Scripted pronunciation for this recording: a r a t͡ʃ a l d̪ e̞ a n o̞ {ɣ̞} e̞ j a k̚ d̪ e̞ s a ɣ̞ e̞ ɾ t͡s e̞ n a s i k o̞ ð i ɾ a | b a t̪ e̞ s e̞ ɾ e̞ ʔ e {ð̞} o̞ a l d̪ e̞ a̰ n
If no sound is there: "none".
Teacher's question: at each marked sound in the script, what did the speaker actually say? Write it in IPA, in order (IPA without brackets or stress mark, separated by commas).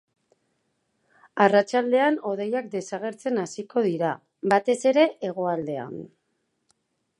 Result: ð̞, ɣ̞